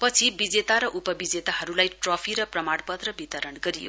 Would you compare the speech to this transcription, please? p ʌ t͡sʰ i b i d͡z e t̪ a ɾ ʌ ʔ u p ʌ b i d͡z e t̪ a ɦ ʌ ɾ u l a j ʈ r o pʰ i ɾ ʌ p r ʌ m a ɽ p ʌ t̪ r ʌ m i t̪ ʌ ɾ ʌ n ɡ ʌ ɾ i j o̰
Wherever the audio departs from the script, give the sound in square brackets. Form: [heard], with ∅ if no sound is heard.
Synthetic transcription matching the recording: p ʌ t͡sʰ i b i d͡z e t̪ a ɾ ʌ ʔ u p ʌ b i d͡z e t̪ a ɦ ʌ ɾ u l a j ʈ r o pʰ i ɾ ʌ p r ʌ m a ɽ p ʌ t̪ r ʌ [b] i t̪ ʌ ɾ ʌ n ɡ ʌ ɾ i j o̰